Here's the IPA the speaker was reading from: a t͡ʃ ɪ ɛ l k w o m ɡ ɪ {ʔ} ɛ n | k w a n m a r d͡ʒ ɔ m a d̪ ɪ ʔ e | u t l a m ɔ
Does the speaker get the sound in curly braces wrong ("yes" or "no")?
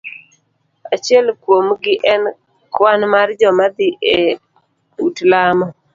no